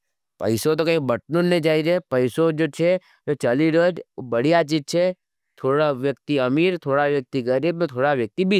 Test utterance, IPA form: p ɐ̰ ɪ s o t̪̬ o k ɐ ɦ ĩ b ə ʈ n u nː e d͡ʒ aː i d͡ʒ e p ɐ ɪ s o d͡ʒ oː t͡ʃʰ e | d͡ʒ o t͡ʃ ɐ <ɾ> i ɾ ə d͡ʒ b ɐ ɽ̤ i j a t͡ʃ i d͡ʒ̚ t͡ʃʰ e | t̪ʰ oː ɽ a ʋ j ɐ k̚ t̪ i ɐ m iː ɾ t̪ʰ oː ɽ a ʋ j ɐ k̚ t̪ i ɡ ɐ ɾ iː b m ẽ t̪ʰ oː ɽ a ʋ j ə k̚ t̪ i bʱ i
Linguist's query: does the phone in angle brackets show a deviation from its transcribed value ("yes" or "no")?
yes